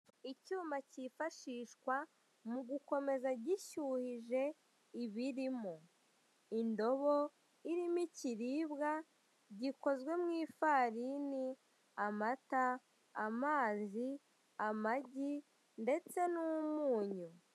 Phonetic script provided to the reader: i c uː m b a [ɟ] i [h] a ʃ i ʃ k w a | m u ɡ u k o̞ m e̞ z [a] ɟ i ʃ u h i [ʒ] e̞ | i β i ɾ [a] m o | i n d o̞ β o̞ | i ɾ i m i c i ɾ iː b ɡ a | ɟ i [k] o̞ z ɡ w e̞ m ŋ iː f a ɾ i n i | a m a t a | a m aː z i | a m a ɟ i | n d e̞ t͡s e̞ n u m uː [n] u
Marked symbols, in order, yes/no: no, no, yes, yes, no, yes, no

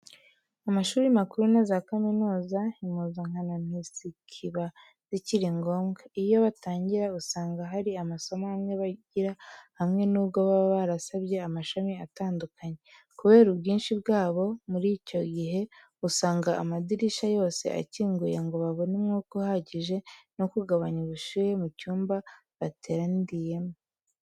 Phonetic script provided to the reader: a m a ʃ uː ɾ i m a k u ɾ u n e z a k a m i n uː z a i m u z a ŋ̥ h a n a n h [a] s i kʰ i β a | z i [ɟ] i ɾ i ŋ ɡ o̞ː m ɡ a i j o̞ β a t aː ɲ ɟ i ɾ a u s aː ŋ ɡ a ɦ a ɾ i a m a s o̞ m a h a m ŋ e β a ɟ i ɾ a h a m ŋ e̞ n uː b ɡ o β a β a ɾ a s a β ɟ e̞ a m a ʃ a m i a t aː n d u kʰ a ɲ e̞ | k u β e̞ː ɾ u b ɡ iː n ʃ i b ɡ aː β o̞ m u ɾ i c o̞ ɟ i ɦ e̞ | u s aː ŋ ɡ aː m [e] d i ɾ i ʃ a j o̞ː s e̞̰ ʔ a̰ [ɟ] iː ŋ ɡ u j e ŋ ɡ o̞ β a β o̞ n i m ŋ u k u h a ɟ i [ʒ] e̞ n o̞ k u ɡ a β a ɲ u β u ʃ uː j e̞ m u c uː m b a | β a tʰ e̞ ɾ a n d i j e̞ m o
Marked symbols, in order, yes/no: no, no, no, no, yes

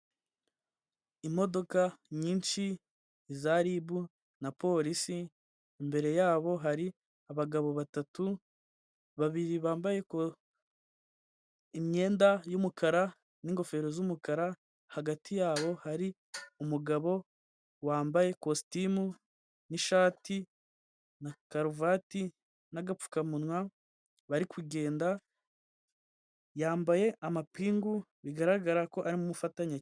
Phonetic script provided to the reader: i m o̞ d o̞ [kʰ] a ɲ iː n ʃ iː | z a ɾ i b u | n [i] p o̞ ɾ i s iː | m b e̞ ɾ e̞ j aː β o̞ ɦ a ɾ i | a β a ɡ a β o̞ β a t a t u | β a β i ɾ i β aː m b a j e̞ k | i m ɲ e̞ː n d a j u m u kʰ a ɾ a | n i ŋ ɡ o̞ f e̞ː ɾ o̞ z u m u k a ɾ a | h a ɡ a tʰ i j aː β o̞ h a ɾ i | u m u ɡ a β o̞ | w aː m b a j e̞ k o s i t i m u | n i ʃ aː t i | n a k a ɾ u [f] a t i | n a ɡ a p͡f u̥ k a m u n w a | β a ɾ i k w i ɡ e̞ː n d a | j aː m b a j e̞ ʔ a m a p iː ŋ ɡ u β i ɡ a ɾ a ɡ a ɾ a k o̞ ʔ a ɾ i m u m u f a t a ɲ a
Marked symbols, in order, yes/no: no, no, no

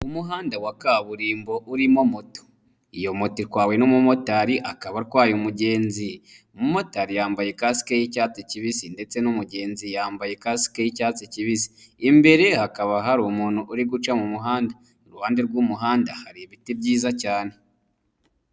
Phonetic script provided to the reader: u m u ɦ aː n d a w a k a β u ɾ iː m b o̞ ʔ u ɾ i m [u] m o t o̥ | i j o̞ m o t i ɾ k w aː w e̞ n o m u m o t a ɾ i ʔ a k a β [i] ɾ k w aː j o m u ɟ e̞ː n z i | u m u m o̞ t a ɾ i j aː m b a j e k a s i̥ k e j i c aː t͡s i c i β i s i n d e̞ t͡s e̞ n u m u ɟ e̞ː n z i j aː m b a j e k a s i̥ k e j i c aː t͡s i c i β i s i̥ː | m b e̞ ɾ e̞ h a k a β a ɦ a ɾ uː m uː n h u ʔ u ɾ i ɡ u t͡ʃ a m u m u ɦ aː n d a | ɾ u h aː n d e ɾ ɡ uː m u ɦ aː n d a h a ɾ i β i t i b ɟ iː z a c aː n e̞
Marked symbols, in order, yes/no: no, no

